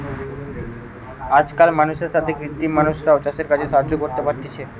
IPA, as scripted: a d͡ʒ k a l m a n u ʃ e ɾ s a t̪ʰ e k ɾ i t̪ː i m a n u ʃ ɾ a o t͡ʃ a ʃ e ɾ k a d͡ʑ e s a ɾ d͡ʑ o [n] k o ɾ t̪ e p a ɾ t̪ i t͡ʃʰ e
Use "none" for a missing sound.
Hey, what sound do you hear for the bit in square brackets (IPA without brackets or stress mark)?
none